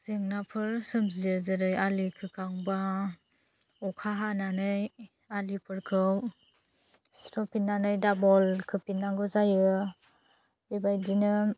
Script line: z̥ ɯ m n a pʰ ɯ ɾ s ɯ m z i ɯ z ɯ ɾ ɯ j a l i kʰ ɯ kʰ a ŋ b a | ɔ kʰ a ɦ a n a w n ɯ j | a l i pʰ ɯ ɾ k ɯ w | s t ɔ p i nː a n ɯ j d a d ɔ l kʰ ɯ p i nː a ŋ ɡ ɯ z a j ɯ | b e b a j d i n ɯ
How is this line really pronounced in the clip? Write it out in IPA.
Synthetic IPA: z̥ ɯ ŋ n a pʰ ɯ ɾ s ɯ m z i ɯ z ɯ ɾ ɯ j a l i kʰ ɯ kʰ a ŋ b a | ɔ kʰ a ɦ a n a n ɯ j | a l i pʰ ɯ ɾ kʰ ɯ w | s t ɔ p i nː a n ɯ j d a b ɔ l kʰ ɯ p i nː a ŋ ɡ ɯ z a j ɯ | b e b a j d i n ɯ